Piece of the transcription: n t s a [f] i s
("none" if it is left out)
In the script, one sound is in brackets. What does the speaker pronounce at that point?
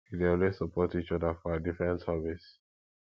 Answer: v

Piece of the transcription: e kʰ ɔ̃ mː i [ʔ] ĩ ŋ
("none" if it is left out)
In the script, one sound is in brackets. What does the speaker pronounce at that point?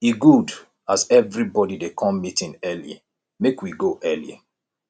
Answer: t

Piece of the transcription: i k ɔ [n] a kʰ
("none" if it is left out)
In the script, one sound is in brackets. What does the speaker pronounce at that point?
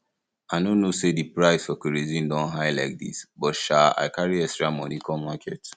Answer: m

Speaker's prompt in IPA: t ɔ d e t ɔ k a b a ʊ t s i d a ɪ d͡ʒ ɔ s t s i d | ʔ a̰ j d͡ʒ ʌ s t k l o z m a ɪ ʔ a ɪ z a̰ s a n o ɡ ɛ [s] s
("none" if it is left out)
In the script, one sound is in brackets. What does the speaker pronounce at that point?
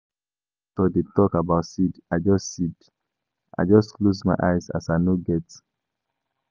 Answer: t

